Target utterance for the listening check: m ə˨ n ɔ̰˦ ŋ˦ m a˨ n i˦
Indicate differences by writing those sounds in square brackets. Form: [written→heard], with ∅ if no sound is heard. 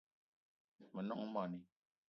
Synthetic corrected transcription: m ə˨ n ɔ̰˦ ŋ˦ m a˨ n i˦